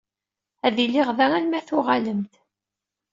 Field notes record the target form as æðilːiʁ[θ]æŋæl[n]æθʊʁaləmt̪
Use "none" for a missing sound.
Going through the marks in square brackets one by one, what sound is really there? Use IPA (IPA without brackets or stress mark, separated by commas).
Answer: ð, m